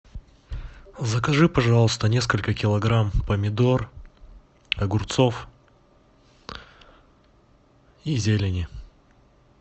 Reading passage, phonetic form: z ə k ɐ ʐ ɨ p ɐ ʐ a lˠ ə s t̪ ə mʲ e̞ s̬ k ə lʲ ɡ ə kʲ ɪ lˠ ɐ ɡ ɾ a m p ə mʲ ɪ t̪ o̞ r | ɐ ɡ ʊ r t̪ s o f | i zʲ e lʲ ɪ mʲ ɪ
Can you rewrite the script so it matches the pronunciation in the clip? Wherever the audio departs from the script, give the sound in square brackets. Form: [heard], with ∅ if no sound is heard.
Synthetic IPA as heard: z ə k ɐ ʐ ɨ p ɐ ʐ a lˠ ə s t̪ ə [nʲ] e̞ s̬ k ə lʲ [k] ə kʲ ɪ lˠ ɐ ɡ ɾ a m p ə mʲ ɪ [d̪] o̞ r | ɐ ɡ ʊ r t̪ s o f | i zʲ e lʲ ɪ [nʲ] ɪ